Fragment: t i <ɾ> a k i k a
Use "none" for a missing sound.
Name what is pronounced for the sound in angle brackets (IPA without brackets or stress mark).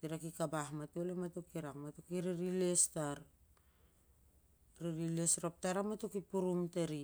ɾ